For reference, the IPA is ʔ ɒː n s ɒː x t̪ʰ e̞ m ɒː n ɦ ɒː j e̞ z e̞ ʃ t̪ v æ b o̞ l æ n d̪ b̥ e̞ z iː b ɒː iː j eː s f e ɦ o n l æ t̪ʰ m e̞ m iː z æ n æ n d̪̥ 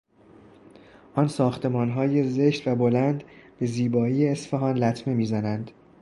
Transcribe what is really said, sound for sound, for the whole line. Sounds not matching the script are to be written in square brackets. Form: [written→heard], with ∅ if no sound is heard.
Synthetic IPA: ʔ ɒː n s ɒː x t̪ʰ e̞ m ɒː n ɦ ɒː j e̞ z e̞ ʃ t̪ v æ b o̞ l æ n d̪ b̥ e̞ z iː b ɒː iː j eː s f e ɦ [o→ɒ] n l æ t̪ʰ m e̞ m iː z æ n æ n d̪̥

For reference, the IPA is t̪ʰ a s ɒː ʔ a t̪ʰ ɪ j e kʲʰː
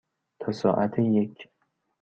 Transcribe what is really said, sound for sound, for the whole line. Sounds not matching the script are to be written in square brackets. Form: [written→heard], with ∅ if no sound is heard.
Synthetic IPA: t̪ʰ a s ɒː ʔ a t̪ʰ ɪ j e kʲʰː

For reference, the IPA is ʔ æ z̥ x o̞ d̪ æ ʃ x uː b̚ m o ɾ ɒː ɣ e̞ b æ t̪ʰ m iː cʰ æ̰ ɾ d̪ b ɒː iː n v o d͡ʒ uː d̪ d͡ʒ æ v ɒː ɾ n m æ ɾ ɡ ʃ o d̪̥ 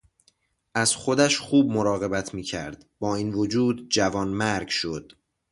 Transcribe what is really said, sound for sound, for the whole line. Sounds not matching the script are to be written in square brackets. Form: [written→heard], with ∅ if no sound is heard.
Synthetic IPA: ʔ æ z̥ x o̞ d̪ æ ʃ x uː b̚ m o ɾ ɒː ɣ e̞ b æ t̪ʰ m iː cʰ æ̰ ɾ d̪ b ɒː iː n v o d͡ʒ uː d̪ d͡ʒ æ v ɒː [ɾ→∅] n m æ ɾ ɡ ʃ o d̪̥

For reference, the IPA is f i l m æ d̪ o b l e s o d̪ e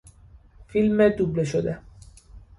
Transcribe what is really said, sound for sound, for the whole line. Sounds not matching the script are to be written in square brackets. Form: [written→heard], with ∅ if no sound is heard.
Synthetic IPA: f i l m [æ→e] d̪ [o→u] b l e [s→ʃ] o d̪ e

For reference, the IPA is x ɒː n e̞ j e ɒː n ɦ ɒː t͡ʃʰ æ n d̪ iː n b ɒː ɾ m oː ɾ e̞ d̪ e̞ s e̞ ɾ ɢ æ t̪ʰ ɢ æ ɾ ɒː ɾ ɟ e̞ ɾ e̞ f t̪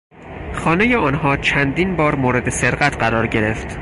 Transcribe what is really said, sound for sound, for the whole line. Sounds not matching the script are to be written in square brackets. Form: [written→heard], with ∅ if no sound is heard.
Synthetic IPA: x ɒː n e̞ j e ɒː n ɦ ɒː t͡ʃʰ æ n d̪ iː n b ɒː ɾ m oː ɾ e̞ d̪ e̞ s e̞ ɾ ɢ æ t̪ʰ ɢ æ ɾ ɒː ɾ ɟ e̞ ɾ e̞ f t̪

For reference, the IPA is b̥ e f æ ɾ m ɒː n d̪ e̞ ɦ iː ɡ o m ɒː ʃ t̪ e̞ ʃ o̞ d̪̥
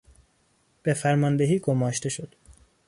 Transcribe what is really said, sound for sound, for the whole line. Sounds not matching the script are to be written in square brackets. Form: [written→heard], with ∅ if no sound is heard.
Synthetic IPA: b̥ e f æ ɾ m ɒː n d̪ e̞ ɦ iː ɡ o m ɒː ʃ t̪ e̞ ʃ o̞ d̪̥

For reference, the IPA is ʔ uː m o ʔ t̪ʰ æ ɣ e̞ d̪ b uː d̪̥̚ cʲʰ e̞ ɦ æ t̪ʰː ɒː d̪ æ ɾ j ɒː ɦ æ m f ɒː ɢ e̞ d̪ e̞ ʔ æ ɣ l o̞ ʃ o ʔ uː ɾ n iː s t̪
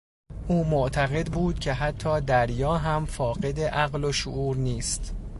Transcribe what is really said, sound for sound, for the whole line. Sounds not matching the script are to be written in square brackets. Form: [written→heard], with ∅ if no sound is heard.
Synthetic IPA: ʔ uː m o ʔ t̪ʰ æ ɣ e̞ d̪ b uː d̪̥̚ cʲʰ e̞ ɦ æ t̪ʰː ɒː d̪ æ ɾ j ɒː ɦ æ m f ɒː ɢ e̞ d̪ e̞ ʔ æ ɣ l o̞ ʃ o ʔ uː ɾ n iː s t̪

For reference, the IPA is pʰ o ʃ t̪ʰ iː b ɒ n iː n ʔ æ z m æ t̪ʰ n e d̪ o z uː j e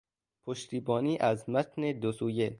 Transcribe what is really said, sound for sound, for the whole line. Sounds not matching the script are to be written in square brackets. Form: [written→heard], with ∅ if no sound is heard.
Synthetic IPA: pʰ o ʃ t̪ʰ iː b [ɒ→ɒː] n iː [n→∅] ʔ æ z m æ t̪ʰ n e d̪ o [z→s] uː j e

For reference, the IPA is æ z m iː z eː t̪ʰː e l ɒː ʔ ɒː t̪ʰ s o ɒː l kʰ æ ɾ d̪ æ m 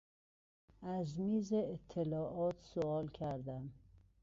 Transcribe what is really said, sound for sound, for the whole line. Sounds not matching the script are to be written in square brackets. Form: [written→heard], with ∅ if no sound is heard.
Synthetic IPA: æ z m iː z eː t̪ʰː e l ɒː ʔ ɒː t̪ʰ s o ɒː l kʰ æ ɾ d̪ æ m

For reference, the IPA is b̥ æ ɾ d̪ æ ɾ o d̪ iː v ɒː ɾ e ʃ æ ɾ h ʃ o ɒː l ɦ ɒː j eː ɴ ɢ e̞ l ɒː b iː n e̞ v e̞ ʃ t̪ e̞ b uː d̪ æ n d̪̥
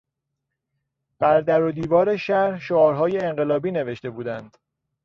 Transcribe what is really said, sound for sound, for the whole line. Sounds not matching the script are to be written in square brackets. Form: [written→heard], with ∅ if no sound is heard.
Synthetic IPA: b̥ æ ɾ d̪ æ ɾ o d̪ iː v ɒː ɾ e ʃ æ ɾ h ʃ o ɒː [l→ɾ] ɦ ɒː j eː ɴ ɢ e̞ l ɒː b iː n e̞ v e̞ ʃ t̪ e̞ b uː d̪ æ n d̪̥

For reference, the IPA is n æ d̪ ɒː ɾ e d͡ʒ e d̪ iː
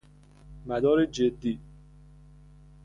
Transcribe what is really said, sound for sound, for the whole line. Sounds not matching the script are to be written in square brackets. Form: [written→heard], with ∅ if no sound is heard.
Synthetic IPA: [n→m] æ d̪ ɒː ɾ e d͡ʒ e [d̪→d̪ː] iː

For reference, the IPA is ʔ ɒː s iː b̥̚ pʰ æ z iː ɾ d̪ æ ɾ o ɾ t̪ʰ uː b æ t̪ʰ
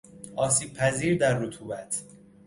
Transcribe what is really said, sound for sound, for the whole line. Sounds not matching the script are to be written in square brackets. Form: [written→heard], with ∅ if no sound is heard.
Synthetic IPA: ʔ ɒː s iː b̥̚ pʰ æ z iː ɾ d̪ æ [ɾ→ɾː] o [ɾ→∅] t̪ʰ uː b æ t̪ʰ

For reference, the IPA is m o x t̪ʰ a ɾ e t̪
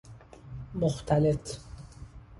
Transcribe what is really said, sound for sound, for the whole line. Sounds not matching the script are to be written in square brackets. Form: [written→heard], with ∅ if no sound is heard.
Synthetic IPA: m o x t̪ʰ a [ɾ→l] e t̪

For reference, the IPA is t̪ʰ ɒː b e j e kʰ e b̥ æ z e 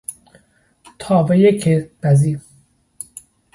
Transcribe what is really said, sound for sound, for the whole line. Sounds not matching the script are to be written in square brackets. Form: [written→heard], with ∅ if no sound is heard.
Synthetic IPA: t̪ʰ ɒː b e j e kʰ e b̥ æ z [e→i]

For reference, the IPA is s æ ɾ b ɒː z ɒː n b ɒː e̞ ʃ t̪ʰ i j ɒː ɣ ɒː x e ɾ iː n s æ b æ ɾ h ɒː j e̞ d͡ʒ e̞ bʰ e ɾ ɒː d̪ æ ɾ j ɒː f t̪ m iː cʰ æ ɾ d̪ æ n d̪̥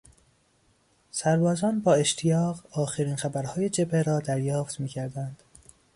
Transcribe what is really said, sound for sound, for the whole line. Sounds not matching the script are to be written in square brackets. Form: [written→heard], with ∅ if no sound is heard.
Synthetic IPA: s æ ɾ b ɒː z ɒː n b ɒː e̞ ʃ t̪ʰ i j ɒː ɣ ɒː x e ɾ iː n [s→x] æ b æ ɾ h ɒː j e̞ d͡ʒ e̞ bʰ e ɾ ɒː d̪ æ ɾ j ɒː f t̪ m iː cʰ æ ɾ d̪ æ n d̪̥

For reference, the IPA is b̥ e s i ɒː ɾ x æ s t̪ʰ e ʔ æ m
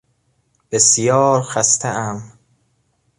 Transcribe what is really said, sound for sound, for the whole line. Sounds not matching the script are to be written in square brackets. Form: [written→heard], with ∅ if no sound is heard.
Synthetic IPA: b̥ e s [i→j] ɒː ɾ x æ s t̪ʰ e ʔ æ m

